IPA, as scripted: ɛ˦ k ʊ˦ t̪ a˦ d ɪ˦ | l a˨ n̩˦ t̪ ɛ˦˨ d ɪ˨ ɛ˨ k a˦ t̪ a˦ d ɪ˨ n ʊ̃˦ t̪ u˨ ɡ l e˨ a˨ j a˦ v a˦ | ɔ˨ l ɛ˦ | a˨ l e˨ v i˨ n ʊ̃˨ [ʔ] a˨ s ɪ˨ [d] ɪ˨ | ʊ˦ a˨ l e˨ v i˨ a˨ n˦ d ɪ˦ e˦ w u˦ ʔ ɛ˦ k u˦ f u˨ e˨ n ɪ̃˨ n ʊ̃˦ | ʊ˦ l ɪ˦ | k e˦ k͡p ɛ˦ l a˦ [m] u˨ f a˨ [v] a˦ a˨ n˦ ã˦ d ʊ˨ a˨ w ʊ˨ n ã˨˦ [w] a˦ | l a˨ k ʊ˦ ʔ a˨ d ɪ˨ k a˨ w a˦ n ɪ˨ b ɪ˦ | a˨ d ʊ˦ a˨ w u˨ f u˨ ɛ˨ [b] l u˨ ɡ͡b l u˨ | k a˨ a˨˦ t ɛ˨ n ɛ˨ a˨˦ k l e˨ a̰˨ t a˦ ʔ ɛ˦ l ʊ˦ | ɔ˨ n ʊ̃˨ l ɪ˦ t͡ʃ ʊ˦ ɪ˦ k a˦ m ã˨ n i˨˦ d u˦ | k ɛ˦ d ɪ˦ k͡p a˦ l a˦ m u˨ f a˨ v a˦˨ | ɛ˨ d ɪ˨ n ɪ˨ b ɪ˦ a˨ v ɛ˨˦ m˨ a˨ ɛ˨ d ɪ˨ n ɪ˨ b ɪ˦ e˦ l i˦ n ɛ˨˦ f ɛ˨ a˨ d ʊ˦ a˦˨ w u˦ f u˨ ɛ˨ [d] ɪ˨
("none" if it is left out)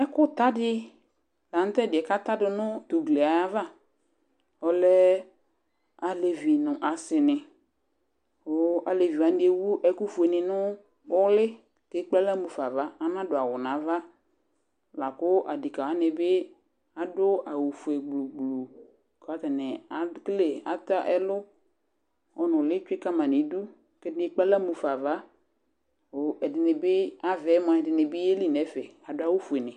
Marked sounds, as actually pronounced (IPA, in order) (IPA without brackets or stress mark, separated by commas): ʔ, n, m, v, v, ɡ͡b, n